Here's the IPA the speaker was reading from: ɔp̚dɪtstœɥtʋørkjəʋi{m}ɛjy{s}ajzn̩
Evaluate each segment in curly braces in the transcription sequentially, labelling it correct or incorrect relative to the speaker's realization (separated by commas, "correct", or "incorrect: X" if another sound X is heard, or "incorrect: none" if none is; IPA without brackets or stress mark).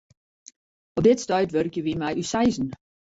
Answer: correct, correct